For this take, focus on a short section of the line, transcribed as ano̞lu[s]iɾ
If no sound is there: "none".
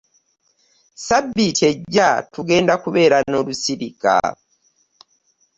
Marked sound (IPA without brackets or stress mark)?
s